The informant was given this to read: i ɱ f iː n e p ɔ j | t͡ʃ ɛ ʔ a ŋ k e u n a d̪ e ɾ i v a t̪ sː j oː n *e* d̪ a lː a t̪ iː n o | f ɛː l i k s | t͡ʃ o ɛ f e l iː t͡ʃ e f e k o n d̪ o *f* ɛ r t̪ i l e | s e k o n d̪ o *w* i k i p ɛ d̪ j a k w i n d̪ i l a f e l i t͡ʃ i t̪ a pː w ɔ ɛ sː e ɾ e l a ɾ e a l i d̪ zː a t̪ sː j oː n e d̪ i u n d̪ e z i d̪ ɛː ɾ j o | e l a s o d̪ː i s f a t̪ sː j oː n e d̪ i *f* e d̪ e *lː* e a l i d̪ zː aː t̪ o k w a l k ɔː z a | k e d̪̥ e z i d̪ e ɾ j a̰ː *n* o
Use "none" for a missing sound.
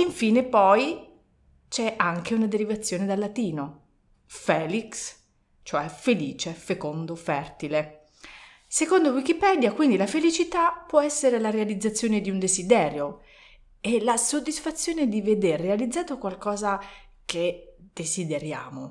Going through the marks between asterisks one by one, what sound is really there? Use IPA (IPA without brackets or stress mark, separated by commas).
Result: e, f, w, v, rː, m